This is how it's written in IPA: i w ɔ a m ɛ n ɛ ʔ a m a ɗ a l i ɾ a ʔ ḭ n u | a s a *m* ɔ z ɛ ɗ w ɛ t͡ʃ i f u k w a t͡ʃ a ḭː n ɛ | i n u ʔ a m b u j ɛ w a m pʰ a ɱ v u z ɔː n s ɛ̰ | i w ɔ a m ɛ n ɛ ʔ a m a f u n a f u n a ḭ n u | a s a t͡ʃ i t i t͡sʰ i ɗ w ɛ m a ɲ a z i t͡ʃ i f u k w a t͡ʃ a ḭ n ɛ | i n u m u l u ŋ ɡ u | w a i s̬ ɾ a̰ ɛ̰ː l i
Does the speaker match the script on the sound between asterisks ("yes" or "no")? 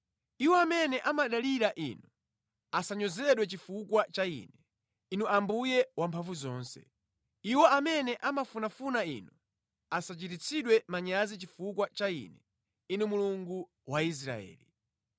no